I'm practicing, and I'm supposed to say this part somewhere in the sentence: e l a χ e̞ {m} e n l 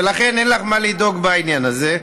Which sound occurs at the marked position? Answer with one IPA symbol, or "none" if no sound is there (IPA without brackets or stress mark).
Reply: n